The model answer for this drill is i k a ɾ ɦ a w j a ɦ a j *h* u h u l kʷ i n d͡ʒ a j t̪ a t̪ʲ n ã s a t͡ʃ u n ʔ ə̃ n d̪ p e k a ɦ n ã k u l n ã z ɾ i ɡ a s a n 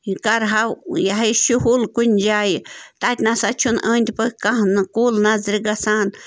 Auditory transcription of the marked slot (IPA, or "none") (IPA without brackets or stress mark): ʃ